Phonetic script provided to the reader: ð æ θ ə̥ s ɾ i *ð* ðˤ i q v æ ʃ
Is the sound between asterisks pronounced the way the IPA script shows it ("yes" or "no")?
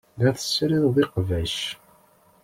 yes